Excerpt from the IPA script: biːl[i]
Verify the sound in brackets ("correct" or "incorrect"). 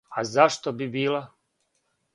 incorrect